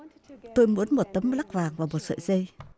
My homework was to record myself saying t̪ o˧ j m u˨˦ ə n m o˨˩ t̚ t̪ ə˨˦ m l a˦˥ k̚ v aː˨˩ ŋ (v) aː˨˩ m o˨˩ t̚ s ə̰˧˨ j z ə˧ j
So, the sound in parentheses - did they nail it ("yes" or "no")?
yes